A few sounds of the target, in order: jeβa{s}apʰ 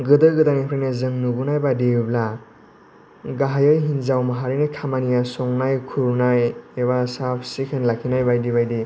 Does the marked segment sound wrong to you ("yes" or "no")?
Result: no